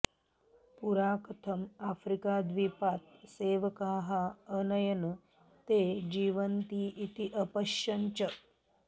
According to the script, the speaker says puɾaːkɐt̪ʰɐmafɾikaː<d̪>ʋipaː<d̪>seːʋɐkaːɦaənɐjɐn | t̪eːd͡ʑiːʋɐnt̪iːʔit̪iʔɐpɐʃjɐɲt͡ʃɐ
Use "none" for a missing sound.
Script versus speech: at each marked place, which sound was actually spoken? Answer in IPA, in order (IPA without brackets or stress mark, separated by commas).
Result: d̪, t̪